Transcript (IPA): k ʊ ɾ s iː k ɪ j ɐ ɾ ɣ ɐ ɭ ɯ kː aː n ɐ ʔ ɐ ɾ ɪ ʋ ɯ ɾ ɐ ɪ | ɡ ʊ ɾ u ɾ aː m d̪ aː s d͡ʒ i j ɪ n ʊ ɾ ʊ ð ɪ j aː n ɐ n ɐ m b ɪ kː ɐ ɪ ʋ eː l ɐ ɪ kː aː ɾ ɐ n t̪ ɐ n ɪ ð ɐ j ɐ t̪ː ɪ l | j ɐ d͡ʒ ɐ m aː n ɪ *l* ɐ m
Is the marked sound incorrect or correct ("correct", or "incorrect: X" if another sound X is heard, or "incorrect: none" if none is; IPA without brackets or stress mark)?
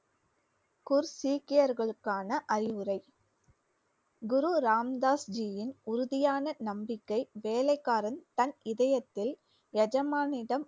incorrect: ɽ